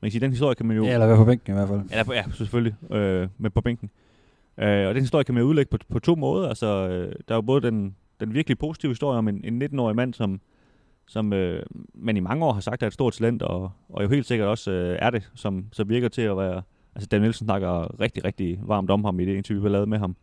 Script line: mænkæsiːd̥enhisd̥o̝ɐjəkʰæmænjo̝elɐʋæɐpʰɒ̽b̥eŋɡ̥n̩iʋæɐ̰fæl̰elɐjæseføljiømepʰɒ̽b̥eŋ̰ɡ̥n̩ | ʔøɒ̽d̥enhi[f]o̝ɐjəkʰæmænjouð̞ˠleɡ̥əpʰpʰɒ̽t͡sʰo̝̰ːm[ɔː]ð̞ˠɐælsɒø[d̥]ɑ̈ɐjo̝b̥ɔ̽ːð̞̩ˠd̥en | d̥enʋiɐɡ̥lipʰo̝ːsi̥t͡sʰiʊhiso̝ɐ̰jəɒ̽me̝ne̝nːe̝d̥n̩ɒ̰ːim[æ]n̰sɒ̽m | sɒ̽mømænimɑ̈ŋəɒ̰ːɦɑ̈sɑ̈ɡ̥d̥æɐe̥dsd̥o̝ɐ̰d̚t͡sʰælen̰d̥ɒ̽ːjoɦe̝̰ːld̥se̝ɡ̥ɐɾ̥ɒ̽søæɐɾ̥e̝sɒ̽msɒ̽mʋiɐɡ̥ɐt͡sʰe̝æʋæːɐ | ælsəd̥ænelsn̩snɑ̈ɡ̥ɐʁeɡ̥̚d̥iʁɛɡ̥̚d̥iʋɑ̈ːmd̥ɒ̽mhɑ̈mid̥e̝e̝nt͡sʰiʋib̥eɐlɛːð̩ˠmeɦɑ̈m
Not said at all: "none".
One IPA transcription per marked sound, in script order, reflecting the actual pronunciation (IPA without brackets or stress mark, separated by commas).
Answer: s, ɔː, d̥, æ